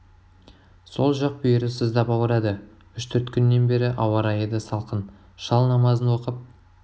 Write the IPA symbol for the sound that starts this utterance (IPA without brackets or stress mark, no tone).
s